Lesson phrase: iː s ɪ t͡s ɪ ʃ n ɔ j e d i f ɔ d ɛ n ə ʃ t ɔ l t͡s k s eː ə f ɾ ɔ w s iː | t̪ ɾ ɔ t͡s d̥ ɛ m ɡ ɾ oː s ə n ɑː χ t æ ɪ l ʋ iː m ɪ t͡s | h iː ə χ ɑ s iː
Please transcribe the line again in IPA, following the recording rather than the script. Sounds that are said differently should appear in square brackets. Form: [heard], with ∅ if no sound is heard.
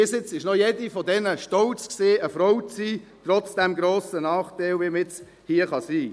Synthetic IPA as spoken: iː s ɪ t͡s ɪ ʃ n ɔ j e d i f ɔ d ɛ n ə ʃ t ɔ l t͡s k s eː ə f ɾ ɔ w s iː | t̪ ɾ ɔ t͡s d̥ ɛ m ɡ ɾ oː s ə n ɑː χ t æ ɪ l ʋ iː m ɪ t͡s | h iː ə χ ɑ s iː